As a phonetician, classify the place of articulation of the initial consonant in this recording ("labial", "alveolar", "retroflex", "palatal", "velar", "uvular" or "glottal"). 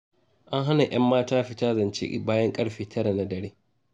glottal